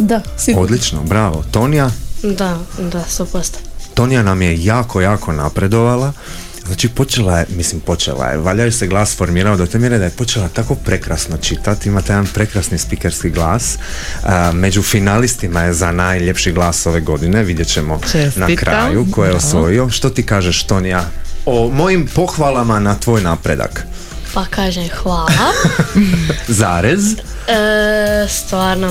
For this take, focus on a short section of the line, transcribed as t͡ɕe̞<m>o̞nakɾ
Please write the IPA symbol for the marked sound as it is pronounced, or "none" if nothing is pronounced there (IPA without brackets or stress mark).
m